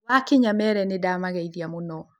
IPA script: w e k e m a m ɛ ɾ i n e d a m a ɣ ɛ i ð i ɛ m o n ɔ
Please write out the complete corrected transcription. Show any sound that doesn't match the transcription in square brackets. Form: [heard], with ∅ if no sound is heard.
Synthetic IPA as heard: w [a] k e [ɲ] a m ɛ ɾ [ɛ] n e d a m a ɣ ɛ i ð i [a] m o n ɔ